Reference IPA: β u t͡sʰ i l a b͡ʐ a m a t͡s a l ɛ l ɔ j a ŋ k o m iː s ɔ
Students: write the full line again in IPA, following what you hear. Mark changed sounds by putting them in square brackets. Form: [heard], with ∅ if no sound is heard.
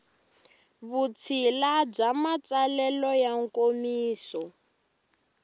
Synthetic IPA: β u t͡sʰ i l a b͡ʐ a m a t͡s a l ɛ l ɔ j a ŋ k o m iː s ɔ

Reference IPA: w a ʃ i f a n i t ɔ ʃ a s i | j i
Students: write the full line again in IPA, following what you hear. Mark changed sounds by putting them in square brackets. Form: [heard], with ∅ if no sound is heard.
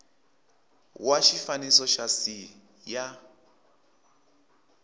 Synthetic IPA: w a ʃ i f a n i [s] ɔ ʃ a s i | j [a]

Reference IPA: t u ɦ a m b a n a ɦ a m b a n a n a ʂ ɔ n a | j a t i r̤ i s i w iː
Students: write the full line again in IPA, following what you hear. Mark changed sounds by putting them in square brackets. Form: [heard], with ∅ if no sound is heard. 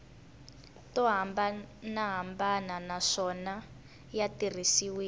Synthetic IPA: t [ɔ] ɦ a m b a n a ɦ a m b a n a n a ʂ ɔ n a | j a t i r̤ i s i w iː

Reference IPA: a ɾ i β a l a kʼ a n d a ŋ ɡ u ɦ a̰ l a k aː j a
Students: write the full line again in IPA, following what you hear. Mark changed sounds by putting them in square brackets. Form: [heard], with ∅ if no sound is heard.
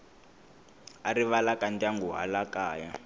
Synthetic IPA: a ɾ i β a l a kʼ a n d a ŋ ɡ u ɦ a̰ l a k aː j a

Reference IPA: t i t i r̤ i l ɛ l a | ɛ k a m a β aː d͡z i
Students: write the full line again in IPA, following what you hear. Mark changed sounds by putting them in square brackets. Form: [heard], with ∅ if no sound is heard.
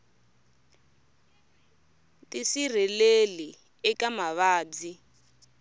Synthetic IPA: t i [s] i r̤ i l [e] l [i] | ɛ k a m a β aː d͡z i

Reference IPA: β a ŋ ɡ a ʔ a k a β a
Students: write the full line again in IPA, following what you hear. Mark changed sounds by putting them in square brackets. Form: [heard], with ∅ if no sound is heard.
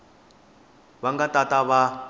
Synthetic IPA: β a ŋ ɡ a [t] a [t] a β a

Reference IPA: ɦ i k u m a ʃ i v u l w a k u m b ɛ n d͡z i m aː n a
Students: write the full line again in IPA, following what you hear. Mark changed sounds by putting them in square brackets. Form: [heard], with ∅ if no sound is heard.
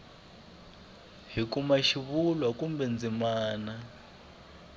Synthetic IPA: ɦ i k u m a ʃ i [β] u l w a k u m b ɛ n d͡z i m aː n a

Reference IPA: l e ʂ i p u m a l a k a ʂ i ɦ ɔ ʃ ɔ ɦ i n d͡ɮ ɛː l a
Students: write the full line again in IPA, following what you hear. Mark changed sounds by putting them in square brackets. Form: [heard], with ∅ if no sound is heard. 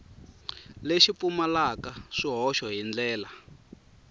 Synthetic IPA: l e [ʃ] i p u m a l a k a ʂ i ɦ ɔ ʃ ɔ ɦ i n d͡ɮ ɛː l a

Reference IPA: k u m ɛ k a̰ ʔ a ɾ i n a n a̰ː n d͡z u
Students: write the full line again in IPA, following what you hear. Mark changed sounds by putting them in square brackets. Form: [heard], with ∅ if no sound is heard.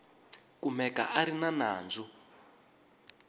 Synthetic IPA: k u m ɛ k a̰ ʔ a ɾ i n a n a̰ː n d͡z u

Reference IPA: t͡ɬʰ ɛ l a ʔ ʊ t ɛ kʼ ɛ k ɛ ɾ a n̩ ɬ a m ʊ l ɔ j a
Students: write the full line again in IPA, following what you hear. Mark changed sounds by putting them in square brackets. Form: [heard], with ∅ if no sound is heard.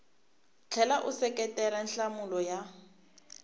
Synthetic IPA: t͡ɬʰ ɛ l a ʔ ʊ [s] ɛ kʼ ɛ [t] ɛ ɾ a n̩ ɬ a m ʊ l ɔ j a

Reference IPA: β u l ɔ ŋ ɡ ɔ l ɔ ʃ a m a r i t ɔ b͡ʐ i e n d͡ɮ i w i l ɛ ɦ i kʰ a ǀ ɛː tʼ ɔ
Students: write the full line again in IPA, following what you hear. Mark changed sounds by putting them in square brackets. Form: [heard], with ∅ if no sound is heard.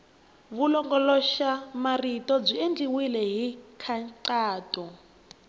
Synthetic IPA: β u l ɔ ŋ ɡ ɔ l ɔ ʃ a m a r i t ɔ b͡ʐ i e n d͡ɮ i w i l ɛ ɦ i kʰ a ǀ [aː] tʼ ɔ

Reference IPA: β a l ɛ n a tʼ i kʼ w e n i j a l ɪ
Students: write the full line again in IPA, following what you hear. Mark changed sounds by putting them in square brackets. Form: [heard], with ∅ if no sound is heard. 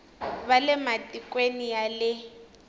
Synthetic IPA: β a l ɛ [m] a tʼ i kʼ w e n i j a l ɪ

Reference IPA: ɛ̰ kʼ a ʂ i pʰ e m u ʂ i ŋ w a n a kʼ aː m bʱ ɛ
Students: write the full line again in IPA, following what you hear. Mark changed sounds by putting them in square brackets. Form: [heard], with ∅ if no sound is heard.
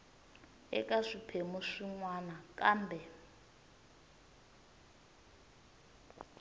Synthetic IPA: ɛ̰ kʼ a ʂ i pʰ e m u ʂ i ŋ w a n a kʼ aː m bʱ ɛ

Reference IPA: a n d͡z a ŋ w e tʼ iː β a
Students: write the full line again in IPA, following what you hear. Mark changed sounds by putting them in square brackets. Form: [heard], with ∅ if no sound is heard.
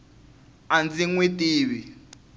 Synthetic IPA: a n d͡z [i] ŋ w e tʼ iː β [i]

